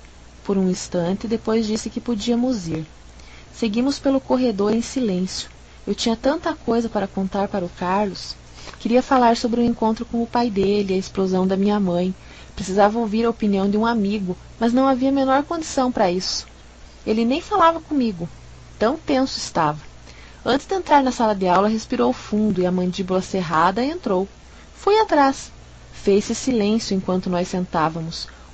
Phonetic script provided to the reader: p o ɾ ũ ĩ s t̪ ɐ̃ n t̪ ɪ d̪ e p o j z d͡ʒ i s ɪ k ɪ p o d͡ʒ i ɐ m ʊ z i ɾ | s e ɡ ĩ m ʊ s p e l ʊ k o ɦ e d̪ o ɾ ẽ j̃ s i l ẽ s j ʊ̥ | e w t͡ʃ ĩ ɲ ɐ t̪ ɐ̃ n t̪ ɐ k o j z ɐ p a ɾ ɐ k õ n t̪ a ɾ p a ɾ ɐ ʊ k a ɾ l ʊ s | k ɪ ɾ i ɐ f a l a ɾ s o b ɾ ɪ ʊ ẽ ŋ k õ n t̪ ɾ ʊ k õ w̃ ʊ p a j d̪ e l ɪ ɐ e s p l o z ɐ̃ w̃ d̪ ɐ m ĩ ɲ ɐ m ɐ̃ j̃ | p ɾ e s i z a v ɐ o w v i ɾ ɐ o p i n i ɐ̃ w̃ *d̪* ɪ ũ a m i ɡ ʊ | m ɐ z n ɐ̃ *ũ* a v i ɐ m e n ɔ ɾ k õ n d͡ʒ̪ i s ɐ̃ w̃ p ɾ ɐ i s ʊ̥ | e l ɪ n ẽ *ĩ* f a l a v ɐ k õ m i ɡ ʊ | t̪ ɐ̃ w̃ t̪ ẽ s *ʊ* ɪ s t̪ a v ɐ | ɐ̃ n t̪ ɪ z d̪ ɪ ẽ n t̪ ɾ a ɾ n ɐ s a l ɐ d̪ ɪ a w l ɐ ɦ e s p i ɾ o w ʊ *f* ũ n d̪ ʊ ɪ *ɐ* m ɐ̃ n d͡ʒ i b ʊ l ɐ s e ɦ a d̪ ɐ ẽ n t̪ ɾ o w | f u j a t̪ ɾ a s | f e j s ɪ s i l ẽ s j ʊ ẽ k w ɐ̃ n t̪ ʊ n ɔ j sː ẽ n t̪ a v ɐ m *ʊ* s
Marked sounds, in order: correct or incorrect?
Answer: correct, incorrect, incorrect, correct, correct, correct, correct

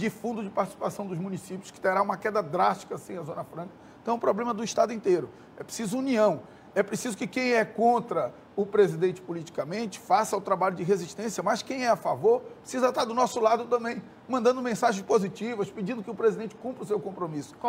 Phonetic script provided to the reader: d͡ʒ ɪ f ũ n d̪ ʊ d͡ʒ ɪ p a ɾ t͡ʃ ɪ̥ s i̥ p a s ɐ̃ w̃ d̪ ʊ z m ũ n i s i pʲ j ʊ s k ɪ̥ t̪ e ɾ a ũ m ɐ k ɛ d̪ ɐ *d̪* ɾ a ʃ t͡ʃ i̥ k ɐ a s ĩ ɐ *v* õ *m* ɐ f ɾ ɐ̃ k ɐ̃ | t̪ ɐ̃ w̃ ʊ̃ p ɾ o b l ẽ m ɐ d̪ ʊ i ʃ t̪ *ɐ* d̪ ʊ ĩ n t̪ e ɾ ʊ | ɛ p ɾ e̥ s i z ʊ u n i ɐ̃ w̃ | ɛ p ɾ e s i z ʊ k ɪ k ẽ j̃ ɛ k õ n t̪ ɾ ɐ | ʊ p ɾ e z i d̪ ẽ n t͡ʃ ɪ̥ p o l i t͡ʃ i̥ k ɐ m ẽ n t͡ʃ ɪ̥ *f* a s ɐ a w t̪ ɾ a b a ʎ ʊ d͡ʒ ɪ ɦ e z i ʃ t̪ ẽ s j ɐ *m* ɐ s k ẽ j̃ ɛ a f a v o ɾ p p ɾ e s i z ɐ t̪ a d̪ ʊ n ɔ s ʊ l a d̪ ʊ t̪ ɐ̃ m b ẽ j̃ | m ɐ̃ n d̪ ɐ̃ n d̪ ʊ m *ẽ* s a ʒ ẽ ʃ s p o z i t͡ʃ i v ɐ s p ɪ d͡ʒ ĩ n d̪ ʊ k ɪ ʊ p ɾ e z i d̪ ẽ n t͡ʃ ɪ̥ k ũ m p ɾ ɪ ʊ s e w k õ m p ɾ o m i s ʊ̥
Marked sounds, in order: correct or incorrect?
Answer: correct, incorrect, incorrect, incorrect, correct, correct, correct

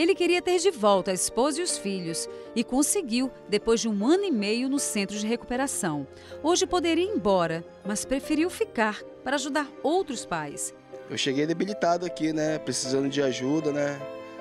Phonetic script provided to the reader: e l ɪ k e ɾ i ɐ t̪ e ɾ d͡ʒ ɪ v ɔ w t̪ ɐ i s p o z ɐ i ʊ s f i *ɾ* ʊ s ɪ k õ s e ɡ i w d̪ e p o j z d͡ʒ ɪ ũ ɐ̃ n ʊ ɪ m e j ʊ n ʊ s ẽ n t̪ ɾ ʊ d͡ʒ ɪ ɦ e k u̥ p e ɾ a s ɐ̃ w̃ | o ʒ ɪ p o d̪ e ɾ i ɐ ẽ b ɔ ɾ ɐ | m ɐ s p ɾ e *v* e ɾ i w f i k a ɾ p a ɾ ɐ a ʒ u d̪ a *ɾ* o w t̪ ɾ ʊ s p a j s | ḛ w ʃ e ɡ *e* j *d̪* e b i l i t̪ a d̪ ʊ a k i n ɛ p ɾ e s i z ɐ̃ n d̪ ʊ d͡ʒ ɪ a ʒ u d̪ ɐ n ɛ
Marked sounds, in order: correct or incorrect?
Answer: incorrect, incorrect, correct, correct, correct

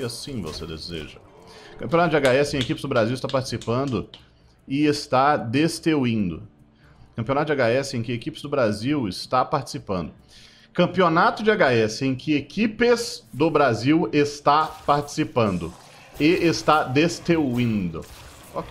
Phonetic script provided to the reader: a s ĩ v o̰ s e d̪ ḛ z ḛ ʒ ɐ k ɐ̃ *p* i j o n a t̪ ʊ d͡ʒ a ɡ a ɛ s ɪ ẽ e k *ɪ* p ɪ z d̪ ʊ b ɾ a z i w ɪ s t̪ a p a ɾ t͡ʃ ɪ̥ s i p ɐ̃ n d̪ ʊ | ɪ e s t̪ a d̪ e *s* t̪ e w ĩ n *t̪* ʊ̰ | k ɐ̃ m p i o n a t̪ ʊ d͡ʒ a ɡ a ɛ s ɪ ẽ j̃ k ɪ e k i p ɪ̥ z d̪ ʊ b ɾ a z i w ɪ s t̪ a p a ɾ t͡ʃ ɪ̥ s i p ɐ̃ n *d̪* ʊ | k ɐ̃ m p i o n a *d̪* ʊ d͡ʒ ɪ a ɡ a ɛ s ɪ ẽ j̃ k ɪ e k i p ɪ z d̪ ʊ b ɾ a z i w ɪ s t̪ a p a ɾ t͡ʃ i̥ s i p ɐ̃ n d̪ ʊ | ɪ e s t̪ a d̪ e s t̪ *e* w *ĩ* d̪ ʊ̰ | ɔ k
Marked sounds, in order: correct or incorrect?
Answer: correct, incorrect, correct, incorrect, correct, incorrect, correct, correct

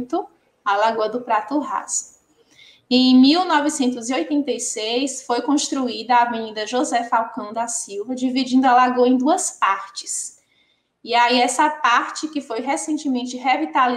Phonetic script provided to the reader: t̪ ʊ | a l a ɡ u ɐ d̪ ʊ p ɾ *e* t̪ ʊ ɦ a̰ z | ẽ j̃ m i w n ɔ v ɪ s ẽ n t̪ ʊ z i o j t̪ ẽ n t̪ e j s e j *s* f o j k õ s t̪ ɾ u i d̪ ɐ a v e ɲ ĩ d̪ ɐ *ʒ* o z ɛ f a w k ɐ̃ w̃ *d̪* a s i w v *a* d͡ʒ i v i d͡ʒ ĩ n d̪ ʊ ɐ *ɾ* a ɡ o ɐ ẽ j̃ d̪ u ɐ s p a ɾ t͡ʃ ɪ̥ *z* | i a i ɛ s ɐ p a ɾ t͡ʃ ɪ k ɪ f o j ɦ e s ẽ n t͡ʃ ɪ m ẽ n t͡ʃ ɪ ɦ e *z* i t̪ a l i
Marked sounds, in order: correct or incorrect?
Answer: incorrect, correct, correct, correct, incorrect, incorrect, incorrect, incorrect

